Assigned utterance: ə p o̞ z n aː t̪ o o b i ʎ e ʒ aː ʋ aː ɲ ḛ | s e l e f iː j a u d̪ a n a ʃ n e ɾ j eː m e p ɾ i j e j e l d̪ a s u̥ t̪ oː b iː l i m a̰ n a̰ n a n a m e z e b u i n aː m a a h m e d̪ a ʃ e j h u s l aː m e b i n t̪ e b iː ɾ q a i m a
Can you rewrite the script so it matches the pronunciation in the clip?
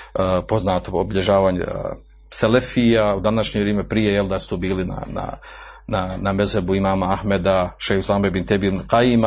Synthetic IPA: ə p o̞ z n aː t̪ o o b i ʎ e ʒ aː ʋ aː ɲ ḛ | s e l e f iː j a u d̪ a n a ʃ ɲ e ɾ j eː m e p ɾ i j e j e l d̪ a s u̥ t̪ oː b iː l i n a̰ n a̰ n a n a m e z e b u i m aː m a a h m e d̪ a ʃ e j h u s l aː m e b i n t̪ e b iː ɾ q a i m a